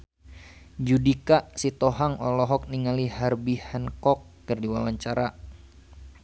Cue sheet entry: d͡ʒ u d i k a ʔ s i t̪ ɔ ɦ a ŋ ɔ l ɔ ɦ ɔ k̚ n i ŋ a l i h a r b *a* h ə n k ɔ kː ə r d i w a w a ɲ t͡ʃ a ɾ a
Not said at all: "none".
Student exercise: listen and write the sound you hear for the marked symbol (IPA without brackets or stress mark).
i